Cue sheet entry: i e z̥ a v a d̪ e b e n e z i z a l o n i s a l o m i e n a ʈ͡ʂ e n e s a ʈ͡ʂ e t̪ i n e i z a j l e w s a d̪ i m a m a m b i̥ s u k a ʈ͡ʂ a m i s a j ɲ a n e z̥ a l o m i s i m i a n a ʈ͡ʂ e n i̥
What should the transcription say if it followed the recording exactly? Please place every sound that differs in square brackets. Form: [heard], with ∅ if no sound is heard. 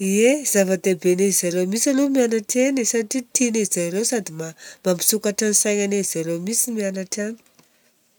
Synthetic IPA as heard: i e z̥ a v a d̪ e b e n e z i z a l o [m] i s a l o m i [a] n a ʈ͡ʂ e n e s a ʈ͡ʂ [i] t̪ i n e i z a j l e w s a d̪ i m a m a m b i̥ s u k a ʈ͡ʂ a [n] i s a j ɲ a n e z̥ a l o m i s i m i a n a ʈ͡ʂ [a] n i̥